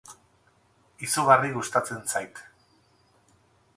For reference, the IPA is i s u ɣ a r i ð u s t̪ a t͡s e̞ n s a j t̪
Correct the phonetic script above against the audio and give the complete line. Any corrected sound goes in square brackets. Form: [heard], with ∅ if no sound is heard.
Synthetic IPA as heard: i s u ɣ a r i [ɣ] u s t̪ a t͡s e̞ n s a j t̪

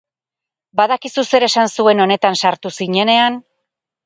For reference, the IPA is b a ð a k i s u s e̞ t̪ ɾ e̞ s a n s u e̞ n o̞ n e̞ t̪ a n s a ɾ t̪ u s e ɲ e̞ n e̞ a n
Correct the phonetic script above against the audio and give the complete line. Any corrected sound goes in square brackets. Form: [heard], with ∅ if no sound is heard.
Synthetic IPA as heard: b a ð a k i s u s e̞ [∅] ɾ e̞ s a n s u e̞ n o̞ n e̞ t̪ a n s a ɾ t̪ u s [i] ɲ e̞ n e̞ a n

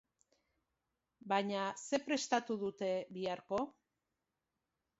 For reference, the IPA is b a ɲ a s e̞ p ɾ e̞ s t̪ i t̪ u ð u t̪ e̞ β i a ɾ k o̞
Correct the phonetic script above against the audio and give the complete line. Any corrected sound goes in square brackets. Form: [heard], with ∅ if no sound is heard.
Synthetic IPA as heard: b a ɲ a s e̞ p ɾ e̞ s t̪ [a] t̪ u ð u t̪ e̞ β i a ɾ k o̞

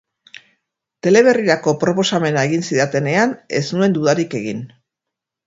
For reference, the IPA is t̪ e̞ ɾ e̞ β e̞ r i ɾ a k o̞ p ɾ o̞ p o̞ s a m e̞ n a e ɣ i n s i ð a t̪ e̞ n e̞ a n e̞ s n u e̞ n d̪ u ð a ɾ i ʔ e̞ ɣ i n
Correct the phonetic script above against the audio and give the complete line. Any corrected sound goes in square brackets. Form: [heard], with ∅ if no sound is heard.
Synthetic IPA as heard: t̪ e̞ [l] e̞ β e̞ r i ɾ a k o̞ p ɾ o̞ p o̞ s a m e̞ n a e ɣ i n s i ð a t̪ e̞ n e̞ a n e̞ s n u e̞ n d̪ u ð a ɾ i [k] e̞ ɣ i n

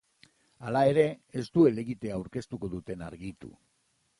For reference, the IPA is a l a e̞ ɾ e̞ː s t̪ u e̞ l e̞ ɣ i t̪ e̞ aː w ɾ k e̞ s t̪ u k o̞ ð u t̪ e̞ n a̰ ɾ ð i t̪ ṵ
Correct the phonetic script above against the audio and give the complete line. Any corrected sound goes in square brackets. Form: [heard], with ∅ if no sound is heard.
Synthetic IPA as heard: a l a e̞ ɾ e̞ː s t̪ u e̞ l e̞ ɣ i t̪ e̞ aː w ɾ k e̞ s t̪ u k o̞ ð u t̪ e̞ n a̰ ɾ [ɣ] i t̪ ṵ

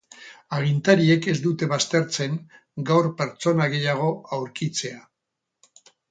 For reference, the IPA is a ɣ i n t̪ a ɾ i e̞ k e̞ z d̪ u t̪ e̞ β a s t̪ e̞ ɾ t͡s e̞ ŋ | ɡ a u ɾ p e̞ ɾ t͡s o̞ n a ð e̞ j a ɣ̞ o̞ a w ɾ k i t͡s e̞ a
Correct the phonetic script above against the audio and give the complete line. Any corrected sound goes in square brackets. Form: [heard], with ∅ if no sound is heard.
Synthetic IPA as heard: a ɣ i n t̪ a ɾ i e̞ k e̞ z d̪ u t̪ e̞ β a s t̪ e̞ ɾ t͡s e̞ ŋ | ɡ a [w] ɾ p e̞ ɾ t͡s o̞ n a [ɣ] e̞ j a ɣ̞ o̞ a w ɾ k i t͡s e̞ a

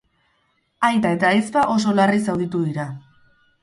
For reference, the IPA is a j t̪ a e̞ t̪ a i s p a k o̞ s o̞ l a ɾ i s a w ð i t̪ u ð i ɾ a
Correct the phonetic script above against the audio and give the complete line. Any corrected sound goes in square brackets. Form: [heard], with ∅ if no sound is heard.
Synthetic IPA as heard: a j t̪ a e̞ t̪ a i s p a [ʔ] o̞ s o̞ l a [r] i s a w ð i t̪ u ð i ɾ a

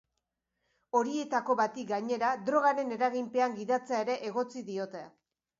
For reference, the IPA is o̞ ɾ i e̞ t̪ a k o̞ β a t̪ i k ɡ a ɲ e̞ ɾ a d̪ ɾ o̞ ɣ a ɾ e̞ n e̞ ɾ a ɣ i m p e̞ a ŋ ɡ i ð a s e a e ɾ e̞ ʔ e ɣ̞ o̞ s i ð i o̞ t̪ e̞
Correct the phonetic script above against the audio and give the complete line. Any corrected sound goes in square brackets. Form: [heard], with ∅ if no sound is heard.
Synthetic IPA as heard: o̞ ɾ i e̞ t̪ a k o̞ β a t̪ i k ɡ a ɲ e̞ ɾ a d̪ ɾ o̞ ɣ a ɾ e̞ n e̞ ɾ a ɣ i m p e̞ a ŋ ɡ i ð a [t͡s] e a e ɾ e̞ ʔ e ɣ̞ o̞ [t͡s] i ð i o̞ t̪ e̞

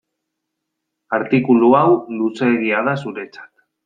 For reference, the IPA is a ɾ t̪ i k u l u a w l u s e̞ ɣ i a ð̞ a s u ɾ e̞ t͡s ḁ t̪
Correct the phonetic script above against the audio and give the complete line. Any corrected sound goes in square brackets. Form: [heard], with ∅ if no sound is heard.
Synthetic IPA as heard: a ɾ t̪ i k u l u a w l u s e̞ ɣ i a ð̞ a s u ɾ e̞ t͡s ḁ t̪

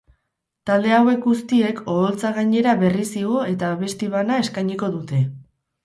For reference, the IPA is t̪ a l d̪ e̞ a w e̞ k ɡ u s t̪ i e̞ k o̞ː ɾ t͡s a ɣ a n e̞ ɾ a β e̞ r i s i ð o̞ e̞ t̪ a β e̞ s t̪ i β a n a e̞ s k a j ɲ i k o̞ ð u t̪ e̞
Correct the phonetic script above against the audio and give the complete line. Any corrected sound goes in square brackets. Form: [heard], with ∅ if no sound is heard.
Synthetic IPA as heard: t̪ a l d̪ e̞ a w e̞ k ɡ u s t̪ i e̞ k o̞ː [l] t͡s a ɣ a [ɲ] e̞ ɾ a β e̞ r i s i [ɣ] o̞ e̞ t̪ a β e̞ s t̪ i β a n a e̞ s k a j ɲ i k o̞ ð u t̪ e̞

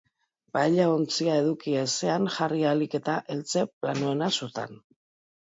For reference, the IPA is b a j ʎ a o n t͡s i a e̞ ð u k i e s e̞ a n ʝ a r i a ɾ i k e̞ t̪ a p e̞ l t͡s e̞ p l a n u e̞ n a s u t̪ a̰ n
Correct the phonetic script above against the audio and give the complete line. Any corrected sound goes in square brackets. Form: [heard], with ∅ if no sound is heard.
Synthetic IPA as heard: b a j ʎ a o n t͡s i a e̞ ð u k i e s e̞ a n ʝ a r i a [l] i k e̞ t̪ a [ʔ] e̞ l t͡s e̞ p l a n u e̞ n a s u t̪ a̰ n

